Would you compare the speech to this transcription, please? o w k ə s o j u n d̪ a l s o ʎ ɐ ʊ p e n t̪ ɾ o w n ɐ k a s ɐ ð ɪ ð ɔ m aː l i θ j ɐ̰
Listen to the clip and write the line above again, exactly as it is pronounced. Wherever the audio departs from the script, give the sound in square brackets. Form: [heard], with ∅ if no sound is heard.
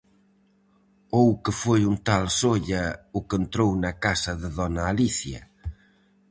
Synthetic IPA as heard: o w k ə [f] o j u n [t̪] a l s o ʎ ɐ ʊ [k] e n t̪ ɾ o w n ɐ k a s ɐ ð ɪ ð ɔ [n] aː l i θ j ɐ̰